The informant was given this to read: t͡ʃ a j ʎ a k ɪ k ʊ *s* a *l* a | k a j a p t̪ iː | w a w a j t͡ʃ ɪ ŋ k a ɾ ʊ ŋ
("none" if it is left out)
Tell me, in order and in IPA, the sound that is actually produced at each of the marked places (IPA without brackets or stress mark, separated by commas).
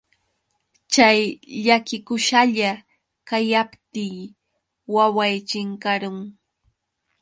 ʃ, ʎ